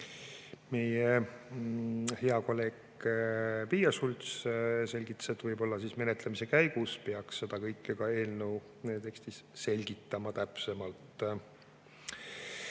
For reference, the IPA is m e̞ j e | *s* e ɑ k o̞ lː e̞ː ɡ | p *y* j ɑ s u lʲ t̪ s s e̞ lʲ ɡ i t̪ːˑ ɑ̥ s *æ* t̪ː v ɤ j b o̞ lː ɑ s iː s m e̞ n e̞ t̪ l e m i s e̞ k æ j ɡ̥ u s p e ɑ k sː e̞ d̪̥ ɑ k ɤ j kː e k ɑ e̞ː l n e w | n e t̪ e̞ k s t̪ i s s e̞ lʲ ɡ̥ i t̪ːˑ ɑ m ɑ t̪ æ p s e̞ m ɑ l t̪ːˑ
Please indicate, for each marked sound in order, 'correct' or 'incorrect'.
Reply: incorrect: h, incorrect: i, incorrect: e

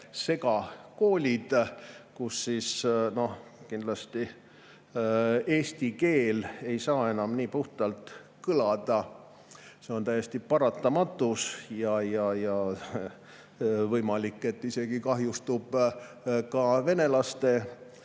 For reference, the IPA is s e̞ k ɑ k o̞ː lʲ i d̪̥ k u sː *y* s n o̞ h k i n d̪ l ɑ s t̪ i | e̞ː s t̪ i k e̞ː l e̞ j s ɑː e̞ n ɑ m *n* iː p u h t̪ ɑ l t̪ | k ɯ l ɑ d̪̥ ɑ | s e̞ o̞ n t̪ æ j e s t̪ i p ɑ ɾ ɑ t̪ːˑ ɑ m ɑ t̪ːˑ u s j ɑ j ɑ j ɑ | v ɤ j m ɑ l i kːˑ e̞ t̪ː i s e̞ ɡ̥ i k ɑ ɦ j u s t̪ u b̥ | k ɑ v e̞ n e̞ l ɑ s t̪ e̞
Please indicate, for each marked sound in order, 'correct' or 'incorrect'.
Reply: incorrect: i, correct

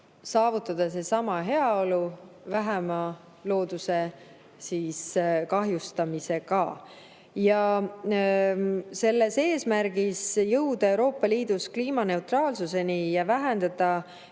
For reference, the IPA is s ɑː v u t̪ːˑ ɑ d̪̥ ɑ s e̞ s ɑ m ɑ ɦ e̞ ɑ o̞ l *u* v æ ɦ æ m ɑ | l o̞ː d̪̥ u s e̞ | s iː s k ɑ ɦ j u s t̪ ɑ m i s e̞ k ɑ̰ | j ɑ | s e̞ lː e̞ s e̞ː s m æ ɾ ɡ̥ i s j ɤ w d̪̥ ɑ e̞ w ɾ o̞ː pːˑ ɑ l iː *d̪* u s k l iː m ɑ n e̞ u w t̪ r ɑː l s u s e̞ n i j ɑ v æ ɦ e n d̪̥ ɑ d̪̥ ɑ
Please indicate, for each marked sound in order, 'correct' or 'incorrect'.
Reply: correct, correct

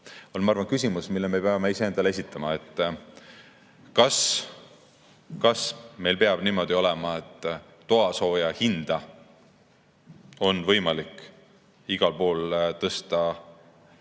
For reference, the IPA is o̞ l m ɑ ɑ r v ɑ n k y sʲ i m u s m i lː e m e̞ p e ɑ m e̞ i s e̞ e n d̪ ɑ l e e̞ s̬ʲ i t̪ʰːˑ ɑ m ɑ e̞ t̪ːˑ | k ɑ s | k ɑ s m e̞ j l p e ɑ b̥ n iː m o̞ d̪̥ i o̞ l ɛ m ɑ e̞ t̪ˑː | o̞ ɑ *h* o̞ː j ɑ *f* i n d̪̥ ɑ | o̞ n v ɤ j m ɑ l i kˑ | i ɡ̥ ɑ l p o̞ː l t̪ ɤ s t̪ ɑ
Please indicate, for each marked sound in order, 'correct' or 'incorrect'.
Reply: incorrect: s, incorrect: h

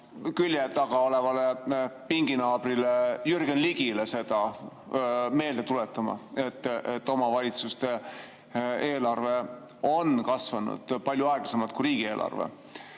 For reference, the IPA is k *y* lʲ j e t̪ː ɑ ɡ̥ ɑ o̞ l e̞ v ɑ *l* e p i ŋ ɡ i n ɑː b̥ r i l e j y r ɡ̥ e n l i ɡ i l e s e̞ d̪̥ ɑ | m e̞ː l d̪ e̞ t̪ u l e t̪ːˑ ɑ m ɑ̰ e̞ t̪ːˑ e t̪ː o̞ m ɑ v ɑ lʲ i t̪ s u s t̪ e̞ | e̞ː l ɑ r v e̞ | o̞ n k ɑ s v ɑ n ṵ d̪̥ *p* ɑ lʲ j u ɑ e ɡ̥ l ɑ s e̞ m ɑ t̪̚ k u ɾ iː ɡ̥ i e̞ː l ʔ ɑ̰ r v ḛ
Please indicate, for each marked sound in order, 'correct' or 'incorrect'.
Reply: correct, correct, correct

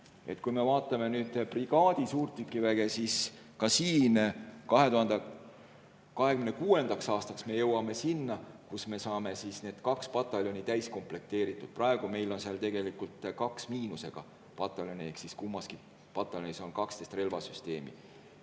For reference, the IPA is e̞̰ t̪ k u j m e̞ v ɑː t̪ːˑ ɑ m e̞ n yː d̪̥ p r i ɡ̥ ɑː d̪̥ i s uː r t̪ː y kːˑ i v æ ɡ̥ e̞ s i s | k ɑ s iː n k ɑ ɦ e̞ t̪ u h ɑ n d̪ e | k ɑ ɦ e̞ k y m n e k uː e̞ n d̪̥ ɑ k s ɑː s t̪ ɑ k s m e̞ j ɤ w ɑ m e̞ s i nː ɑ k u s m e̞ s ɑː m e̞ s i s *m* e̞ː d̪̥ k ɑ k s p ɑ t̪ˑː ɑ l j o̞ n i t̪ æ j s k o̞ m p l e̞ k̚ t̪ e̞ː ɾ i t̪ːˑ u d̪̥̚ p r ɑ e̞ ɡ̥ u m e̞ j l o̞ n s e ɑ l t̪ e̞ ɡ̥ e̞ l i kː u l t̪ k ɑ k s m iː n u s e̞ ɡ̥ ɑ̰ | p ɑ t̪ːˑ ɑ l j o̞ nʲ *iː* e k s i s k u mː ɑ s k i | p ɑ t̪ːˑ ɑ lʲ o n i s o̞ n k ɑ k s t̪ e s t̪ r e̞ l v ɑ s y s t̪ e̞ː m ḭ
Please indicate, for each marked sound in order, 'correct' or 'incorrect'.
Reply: incorrect: n, incorrect: i

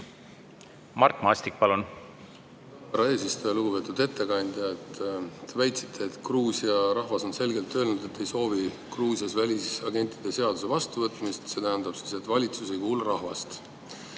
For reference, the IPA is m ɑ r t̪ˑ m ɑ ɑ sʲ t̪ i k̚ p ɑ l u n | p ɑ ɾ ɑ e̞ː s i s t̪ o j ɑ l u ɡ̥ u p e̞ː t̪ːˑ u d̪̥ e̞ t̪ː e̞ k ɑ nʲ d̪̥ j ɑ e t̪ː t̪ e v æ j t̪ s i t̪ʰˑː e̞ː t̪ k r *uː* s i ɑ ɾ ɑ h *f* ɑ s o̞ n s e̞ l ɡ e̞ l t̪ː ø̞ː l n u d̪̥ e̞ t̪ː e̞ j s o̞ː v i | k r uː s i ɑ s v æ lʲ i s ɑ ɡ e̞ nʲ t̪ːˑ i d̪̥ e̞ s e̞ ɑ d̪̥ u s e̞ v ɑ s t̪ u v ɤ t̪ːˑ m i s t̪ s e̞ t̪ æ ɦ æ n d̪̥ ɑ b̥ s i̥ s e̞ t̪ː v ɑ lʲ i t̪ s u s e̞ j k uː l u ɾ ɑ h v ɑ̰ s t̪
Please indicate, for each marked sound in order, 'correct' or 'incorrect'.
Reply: correct, incorrect: v

